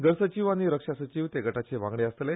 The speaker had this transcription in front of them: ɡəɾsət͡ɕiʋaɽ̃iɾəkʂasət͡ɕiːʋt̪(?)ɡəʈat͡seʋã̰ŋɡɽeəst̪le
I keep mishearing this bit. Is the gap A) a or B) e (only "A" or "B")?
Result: B